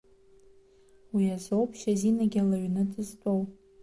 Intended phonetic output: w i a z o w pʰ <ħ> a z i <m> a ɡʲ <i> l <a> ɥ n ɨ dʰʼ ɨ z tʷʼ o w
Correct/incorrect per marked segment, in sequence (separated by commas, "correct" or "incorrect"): incorrect, incorrect, incorrect, correct